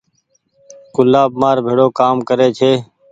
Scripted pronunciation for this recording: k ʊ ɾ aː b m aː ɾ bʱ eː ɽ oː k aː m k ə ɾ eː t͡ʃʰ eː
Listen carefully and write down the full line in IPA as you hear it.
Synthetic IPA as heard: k ʊ l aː b m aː ɾ bʱ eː ɽ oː k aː m k ə ɾ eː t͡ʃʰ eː